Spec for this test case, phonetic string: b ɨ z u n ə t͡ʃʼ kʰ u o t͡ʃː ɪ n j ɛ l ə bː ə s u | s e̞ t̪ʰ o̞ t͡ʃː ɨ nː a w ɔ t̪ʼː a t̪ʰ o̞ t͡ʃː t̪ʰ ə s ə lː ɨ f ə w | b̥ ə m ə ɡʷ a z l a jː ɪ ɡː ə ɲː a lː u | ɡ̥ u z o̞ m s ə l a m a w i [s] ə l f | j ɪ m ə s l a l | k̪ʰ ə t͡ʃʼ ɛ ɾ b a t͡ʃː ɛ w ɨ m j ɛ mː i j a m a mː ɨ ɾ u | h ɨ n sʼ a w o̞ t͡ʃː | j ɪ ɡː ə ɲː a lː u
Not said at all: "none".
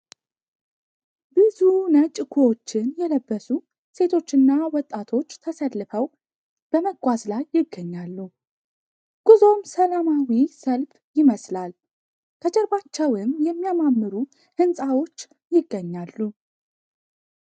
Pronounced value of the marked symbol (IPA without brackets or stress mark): s